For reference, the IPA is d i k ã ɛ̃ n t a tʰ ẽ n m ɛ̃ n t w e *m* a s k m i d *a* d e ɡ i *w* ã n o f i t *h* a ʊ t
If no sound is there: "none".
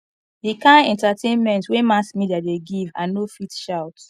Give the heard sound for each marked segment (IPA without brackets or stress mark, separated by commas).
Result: m, a, v, ʃ